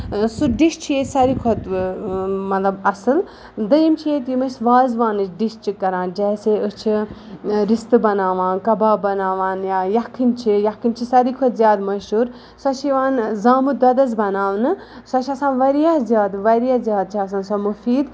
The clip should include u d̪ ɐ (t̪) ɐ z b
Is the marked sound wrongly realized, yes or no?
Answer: yes